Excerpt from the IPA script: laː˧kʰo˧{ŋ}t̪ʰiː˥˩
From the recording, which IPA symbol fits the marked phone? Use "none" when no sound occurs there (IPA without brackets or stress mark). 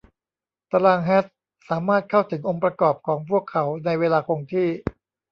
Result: ŋ